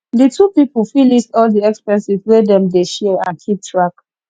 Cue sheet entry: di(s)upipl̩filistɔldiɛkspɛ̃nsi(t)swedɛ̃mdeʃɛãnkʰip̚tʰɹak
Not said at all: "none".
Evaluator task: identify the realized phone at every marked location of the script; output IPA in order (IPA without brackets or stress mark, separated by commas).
t, none